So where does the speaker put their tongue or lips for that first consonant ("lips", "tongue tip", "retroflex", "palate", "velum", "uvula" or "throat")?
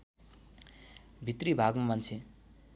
lips